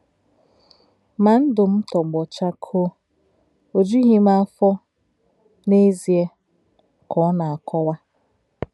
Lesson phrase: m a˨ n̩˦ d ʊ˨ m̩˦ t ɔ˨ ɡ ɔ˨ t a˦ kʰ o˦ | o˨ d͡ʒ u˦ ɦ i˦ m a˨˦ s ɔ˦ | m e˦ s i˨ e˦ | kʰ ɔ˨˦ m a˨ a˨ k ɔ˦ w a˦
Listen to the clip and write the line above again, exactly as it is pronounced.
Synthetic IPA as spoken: m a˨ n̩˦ d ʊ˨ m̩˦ t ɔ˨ ɡ͡b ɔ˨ t͡ʃ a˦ kʰ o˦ | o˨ d͡ʒ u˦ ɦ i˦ m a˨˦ f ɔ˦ | n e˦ z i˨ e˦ | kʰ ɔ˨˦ n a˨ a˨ k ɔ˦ w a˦